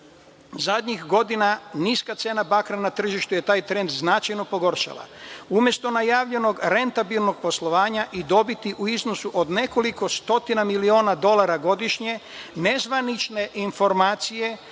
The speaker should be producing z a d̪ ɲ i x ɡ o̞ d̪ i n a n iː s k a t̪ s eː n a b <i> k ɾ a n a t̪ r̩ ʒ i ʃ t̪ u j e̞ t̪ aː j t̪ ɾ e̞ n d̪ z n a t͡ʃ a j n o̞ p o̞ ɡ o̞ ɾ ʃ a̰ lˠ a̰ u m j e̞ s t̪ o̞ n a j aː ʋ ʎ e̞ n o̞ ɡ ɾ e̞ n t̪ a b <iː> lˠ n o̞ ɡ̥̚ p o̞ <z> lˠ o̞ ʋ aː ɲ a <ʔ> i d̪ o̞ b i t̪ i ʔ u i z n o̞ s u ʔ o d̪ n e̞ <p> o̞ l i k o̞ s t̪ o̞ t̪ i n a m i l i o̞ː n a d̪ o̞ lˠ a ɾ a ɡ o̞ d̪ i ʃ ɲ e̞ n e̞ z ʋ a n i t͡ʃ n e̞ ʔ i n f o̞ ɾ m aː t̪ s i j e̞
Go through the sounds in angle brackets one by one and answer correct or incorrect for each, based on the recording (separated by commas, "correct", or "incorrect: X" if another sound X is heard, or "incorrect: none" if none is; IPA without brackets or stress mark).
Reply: incorrect: a, incorrect: i, incorrect: s, correct, incorrect: k